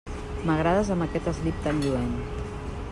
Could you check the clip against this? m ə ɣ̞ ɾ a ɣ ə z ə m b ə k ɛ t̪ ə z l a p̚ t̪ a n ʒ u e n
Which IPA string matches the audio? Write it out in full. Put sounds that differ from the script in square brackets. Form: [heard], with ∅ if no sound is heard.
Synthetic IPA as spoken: m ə ɣ̞ ɾ a [ð] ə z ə m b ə k ɛ t̪ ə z l [i] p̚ t̪ a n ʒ u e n